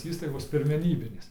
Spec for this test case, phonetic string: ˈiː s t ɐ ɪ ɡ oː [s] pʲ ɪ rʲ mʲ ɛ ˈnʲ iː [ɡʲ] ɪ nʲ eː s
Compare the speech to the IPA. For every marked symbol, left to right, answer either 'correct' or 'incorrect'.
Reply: correct, incorrect

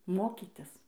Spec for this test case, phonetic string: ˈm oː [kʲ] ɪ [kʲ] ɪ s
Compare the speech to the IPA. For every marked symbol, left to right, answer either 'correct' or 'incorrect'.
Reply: correct, incorrect

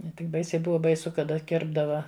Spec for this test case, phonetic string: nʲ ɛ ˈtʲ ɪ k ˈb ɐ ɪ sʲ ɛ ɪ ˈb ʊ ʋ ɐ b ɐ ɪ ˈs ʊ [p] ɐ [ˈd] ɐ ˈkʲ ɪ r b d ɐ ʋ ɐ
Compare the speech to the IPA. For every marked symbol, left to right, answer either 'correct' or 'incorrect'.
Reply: incorrect, correct

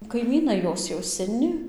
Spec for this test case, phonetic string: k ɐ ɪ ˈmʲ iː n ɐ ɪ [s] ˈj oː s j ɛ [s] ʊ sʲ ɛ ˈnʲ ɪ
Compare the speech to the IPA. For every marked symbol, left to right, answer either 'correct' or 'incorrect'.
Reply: incorrect, incorrect

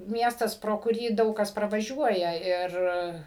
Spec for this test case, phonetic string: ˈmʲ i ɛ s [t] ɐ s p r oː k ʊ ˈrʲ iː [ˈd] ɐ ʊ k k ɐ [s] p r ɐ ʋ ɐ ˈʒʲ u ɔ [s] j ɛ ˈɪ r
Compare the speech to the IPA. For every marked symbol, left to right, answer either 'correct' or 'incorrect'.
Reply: correct, correct, correct, incorrect

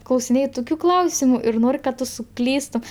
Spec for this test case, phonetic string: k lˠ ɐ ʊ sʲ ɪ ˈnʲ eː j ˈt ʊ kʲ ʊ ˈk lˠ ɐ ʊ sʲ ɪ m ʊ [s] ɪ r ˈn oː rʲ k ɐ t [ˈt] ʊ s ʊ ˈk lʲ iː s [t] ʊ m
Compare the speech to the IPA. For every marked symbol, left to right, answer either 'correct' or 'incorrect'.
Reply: incorrect, correct, correct

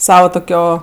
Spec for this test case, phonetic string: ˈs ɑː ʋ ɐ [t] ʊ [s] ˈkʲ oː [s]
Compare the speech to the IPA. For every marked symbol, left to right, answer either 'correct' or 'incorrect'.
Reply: correct, incorrect, incorrect

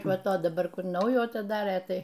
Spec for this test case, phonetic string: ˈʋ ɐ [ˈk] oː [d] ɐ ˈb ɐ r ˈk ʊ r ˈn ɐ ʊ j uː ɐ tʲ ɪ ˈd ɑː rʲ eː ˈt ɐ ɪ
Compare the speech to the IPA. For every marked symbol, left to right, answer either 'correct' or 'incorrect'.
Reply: incorrect, correct

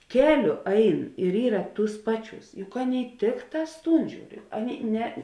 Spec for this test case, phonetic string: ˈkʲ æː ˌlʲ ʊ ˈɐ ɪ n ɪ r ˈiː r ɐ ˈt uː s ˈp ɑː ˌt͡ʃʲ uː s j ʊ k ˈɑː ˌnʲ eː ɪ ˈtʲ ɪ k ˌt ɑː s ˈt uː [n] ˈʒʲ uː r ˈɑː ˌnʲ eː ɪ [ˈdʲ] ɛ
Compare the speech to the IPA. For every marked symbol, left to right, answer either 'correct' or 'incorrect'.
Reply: correct, incorrect

